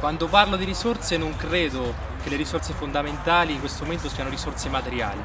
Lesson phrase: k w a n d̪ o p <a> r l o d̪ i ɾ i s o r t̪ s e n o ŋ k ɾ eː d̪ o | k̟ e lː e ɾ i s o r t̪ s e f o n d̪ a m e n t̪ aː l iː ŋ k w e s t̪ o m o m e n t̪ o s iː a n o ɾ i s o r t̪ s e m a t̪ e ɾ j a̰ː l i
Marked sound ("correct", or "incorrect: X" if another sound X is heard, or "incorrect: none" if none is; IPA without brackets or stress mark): correct